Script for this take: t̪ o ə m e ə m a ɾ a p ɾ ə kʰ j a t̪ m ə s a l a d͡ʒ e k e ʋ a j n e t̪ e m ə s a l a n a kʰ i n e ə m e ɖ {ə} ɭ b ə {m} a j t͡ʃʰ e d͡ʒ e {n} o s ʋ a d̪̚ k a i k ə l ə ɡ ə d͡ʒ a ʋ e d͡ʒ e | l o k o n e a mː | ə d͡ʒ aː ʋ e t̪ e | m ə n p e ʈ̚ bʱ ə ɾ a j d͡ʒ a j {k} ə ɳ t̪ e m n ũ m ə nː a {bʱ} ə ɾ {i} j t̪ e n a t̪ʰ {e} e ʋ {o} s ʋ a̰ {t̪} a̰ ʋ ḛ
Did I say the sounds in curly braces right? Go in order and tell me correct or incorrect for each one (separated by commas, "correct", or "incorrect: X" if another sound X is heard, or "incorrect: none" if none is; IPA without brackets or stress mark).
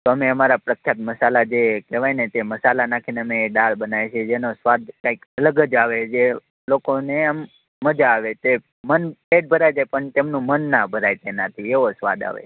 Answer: incorrect: a, incorrect: n, correct, incorrect: p, correct, incorrect: a, incorrect: i, correct, incorrect: d̪